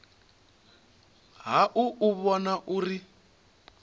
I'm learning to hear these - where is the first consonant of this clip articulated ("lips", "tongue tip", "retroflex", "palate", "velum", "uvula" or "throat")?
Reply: throat